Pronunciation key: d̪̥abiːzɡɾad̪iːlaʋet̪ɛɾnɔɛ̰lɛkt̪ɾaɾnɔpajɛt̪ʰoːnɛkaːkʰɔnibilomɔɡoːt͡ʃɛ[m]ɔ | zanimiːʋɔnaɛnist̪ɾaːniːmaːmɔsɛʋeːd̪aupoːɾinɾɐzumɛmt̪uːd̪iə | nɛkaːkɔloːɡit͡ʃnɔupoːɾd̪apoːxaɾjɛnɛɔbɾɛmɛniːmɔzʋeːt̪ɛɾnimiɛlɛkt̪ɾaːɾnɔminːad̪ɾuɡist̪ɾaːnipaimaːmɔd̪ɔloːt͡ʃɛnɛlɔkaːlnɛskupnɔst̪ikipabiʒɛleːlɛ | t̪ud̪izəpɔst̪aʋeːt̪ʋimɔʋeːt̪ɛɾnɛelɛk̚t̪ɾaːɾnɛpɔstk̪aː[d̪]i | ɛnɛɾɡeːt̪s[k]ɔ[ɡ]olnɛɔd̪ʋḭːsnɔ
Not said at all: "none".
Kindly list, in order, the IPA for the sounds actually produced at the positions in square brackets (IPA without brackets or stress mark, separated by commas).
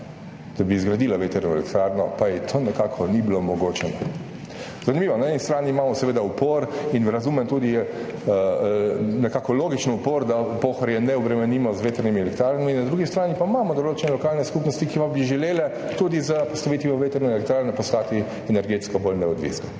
n, t̪, k, b